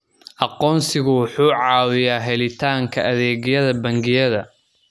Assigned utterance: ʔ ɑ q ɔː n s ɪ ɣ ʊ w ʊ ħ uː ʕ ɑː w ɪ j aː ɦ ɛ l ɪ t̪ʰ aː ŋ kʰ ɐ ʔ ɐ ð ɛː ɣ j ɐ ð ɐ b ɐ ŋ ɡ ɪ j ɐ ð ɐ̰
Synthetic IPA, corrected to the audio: ʔ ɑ q ɔː n s ɪ ɣ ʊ w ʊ ħ uː ʕ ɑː w ɪ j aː ɦ ɛ l ɪ t̪ʰ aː ŋ kʰ ɐ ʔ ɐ ð ɛː ɣ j ɐ ð ɐ b ɐ ŋ ɡ ɪ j ɐ ð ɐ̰